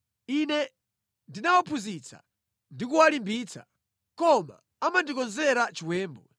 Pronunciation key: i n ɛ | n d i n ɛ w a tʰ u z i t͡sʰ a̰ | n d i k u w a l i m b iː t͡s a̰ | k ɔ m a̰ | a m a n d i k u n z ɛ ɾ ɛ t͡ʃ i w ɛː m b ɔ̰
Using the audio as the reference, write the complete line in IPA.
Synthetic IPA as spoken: i n ɛ | n d i n a w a pʰ u z i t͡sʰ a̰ | n d i k u w a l i m b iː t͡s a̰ | k ɔ m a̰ | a m a n d i k ɔ n z ɛ ɾ a t͡ʃ i w ɛː m b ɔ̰